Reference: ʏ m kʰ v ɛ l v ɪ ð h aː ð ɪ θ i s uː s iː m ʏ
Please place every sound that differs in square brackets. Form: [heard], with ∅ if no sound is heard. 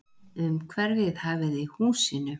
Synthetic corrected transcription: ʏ m kʰ v ɛ [ɾ] v ɪ ð h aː [v] ɪ [ð] i [h] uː s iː [n] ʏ

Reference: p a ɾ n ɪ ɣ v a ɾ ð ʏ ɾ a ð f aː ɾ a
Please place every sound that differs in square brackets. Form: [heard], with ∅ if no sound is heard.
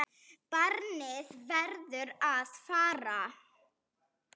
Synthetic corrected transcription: p a ɾ n ɪ [ð] v [ɛ] ɾ ð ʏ ɾ a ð f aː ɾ a

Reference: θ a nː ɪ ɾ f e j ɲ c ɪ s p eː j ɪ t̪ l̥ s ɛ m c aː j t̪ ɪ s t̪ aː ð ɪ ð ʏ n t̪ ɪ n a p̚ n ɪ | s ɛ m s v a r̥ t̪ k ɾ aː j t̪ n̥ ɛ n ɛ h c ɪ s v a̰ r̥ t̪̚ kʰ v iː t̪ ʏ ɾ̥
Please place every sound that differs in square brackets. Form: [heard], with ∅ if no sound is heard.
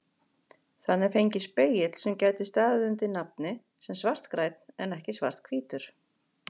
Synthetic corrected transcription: θ a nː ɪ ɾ f e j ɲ c ɪ s p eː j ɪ t̪ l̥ s ɛ m c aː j t̪ ɪ s t̪ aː ð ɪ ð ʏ n t̪ ɪ n a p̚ n ɪ | s ɛ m s v a r̥ t̪ k ɾ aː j t̪ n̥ ɛ n ɛ h c ɪ s v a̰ r̥ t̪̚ kʰ v iː t̪ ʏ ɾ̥

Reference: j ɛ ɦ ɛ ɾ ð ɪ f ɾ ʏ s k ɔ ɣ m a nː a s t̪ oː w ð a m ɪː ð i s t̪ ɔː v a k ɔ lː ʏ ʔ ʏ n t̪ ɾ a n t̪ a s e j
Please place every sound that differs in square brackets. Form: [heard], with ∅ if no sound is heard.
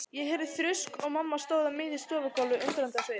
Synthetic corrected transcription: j ɛ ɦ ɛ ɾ ð ɪ [θ] ɾ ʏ s k ɔ ɣ m a [mː] a s t̪ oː w ð a m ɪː ð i s t̪ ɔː v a k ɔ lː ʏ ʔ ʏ n t̪ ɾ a n t̪ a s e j

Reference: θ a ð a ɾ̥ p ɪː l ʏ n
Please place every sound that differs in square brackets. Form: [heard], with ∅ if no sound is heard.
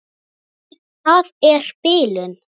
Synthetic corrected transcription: θ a ð [ɛ] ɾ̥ p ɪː l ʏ n

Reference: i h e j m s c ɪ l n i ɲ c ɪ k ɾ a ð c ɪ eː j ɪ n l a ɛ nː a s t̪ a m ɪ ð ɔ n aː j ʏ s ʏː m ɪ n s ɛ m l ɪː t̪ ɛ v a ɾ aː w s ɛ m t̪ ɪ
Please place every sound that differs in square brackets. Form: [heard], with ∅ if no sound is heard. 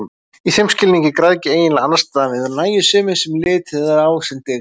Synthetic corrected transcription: i [θ] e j m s c ɪ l n i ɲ c ɪ k ɾ a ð c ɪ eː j ɪ n l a [a] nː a s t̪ a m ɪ ð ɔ n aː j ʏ s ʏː m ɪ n s ɛ m l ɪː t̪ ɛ [ð] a ɾ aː w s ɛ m t̪ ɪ

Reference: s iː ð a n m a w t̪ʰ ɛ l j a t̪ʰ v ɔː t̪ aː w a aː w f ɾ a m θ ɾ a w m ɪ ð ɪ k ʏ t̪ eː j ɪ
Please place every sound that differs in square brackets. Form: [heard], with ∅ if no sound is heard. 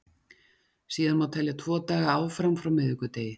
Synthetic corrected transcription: s iː ð a n m a w t̪ʰ ɛ l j a t̪ʰ v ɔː t̪ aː [ɣ] a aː w f ɾ a m [f] ɾ a w m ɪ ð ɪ k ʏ t̪ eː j ɪ

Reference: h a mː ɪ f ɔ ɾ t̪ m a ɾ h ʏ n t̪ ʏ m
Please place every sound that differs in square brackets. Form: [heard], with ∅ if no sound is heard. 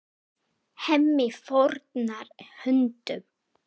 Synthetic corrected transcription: h [ɛ] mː ɪ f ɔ ɾ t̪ [n] a ɾ h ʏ n t̪ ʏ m

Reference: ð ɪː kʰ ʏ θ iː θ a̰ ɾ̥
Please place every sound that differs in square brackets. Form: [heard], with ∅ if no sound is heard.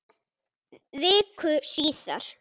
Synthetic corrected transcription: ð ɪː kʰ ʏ [s] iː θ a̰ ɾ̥

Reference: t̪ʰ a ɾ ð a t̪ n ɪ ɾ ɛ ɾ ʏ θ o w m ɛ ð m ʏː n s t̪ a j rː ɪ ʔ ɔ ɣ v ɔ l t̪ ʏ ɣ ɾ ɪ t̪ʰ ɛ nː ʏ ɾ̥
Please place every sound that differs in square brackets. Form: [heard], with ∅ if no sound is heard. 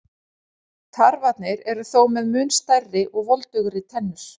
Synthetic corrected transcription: t̪ʰ a ɾ [v] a t̪ n ɪ ɾ ɛ ɾ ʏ θ o w m ɛ ð m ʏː n s t̪ a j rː ɪ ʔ ɔ ɣ v ɔ l t̪ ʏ ɣ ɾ ɪ t̪ʰ ɛ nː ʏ ɾ̥

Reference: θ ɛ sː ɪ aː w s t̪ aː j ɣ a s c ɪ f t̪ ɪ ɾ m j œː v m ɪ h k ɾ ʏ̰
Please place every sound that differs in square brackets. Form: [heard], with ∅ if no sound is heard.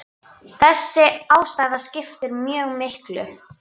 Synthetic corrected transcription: θ ɛ sː ɪ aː w s t̪ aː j [ð] a s c ɪ f t̪ ɪ ɾ m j œː [ɣ] m ɪ h k [l] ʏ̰

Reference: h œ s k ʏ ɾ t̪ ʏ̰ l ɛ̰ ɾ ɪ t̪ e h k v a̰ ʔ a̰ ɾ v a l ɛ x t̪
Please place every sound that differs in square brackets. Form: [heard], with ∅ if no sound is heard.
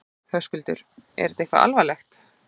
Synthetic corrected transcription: h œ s k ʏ [l] t̪ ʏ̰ [ɾ] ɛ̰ ɾ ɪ t̪ e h k v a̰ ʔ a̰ [l] v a l ɛ x t̪

